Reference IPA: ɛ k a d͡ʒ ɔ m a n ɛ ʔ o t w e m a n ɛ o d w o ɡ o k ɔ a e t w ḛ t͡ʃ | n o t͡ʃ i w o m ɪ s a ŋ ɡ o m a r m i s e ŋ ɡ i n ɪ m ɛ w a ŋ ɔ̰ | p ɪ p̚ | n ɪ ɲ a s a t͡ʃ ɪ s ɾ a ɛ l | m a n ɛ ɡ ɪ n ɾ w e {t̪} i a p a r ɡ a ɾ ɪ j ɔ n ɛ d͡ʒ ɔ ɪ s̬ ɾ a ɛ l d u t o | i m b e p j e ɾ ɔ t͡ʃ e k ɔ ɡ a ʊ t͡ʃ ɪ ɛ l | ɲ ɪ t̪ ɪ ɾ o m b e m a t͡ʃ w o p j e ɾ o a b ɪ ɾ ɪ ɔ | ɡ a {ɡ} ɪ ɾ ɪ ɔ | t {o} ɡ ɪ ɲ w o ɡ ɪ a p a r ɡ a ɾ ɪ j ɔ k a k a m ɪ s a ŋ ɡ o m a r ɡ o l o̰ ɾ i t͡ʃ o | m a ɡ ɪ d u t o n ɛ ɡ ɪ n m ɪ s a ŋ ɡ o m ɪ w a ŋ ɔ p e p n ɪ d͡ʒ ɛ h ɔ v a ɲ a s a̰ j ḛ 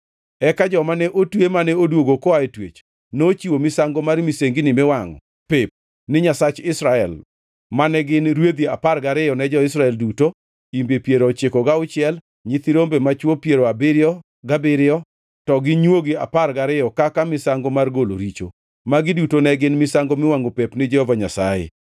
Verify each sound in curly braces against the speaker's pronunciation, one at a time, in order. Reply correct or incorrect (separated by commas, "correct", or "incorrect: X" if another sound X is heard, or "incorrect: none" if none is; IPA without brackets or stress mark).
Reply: incorrect: d̪, incorrect: b, incorrect: ɔ